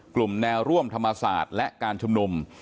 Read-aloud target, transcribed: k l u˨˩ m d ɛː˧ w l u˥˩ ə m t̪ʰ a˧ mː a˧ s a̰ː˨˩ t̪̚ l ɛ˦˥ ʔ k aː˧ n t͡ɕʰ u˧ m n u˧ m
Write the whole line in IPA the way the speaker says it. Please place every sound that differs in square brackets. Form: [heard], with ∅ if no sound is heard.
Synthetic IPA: k l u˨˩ m [n] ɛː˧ w [ɾ] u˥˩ ə m t̪ʰ a˧ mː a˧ s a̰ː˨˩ t̪̚ l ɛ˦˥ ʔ k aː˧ n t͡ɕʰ u˧ m n u˧ m